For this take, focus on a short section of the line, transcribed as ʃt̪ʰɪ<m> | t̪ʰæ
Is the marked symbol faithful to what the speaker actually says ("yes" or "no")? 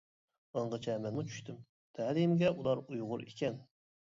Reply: yes